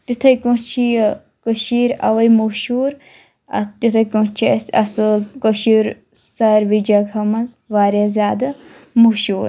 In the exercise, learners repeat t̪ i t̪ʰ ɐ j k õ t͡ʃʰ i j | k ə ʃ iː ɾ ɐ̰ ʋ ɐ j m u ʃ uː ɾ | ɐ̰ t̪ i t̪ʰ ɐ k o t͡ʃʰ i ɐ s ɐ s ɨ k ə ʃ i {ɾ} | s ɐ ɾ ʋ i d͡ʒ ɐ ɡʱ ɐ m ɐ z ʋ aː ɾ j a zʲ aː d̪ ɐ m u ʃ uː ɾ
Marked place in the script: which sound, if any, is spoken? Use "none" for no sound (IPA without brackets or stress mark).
ɾ